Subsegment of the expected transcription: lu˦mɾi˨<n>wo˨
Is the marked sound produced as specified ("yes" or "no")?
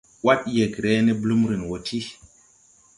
yes